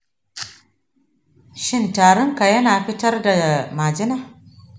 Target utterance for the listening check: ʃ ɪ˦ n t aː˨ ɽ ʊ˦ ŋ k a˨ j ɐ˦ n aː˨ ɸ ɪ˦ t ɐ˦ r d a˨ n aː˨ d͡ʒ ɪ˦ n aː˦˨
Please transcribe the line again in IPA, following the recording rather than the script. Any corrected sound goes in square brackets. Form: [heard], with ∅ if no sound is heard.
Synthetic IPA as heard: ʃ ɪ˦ n t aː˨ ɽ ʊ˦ ŋ k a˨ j ɐ˦ n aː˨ ɸ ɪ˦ t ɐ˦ r d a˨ [m] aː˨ d͡ʒ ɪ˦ n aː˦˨